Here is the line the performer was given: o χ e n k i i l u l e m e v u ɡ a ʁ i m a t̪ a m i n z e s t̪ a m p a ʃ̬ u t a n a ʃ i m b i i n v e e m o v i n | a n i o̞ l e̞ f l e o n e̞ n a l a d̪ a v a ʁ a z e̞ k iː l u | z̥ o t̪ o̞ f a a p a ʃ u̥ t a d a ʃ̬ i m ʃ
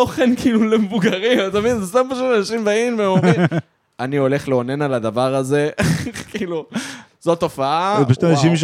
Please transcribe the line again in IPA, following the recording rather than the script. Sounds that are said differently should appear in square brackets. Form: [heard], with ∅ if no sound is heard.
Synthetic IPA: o χ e n k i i l u l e m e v u ɡ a ʁ i m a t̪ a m i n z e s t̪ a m p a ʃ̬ u t a n a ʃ i m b [a] i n v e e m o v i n | a n i o̞ l e̞ [χ] l e o n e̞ n a l a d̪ a v a ʁ a z e̞ k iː l u | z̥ o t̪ o̞ f a a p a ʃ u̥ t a [n] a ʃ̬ i m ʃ